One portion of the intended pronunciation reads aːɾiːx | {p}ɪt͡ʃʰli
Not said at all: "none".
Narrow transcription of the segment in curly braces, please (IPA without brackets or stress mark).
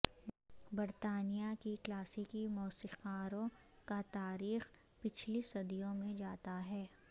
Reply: p